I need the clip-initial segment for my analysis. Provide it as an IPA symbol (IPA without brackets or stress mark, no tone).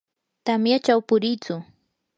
t̪